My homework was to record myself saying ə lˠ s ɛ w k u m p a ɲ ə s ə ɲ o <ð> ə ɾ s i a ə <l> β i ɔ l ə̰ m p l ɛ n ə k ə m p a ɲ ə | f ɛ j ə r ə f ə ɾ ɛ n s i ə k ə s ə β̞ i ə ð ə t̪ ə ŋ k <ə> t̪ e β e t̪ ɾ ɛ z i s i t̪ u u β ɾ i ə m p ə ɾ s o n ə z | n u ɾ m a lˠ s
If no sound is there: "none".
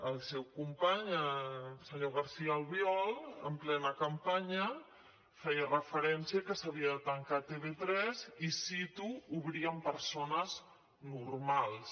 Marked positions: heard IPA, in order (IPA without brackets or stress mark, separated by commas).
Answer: ɣ, l, a